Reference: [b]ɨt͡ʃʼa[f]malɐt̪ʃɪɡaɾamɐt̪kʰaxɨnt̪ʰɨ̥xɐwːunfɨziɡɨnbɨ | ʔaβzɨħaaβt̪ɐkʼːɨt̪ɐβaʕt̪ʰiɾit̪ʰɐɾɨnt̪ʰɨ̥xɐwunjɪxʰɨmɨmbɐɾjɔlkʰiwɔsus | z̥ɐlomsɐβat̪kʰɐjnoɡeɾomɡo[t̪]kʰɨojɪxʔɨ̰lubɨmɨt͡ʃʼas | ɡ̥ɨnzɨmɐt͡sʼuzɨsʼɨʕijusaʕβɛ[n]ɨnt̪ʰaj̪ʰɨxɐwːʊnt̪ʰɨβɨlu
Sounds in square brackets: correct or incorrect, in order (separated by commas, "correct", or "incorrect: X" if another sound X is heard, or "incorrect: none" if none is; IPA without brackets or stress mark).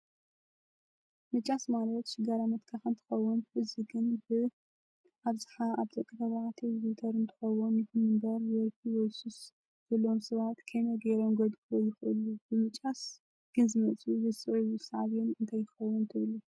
incorrect: m, incorrect: s, incorrect: d̪, correct